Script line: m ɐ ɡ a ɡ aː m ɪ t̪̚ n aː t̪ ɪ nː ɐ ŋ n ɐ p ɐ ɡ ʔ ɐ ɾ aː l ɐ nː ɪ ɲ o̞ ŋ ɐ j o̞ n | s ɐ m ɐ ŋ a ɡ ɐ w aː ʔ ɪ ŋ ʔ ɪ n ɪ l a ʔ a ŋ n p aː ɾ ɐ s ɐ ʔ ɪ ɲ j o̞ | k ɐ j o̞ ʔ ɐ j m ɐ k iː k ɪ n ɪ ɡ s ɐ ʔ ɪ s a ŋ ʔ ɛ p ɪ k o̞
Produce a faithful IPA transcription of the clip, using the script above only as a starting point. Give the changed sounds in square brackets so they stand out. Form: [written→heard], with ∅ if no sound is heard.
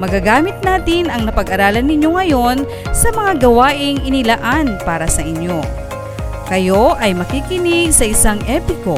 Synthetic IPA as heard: m ɐ ɡ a ɡ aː m ɪ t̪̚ n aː t̪ ɪ [nː→n] ɐ ŋ n ɐ p ɐ ɡ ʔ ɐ ɾ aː l ɐ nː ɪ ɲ o̞ ŋ ɐ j o̞ n | s ɐ m ɐ ŋ a ɡ ɐ w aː ʔ ɪ ŋ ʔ ɪ n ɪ l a ʔ a [ŋ→∅] n p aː ɾ ɐ s ɐ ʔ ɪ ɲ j o̞ | k ɐ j o̞ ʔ ɐ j m ɐ k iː k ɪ n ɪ ɡ s ɐ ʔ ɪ s a ŋ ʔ ɛ p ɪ k o̞